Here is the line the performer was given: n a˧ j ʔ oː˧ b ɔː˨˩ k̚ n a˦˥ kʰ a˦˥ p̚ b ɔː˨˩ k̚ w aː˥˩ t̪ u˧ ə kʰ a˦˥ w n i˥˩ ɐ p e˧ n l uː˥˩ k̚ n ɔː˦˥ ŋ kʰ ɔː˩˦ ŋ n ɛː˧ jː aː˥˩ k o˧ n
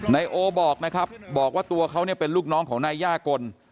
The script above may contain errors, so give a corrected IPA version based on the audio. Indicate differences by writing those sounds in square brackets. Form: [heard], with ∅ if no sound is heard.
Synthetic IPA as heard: n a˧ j ʔ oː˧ b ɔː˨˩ k̚ n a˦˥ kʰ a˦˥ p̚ b ɔː˨˩ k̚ w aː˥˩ t̪ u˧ [ɐ] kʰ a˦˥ w n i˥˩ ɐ p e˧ n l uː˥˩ k̚ n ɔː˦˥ ŋ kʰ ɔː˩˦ ŋ n [aː˧] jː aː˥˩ k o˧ n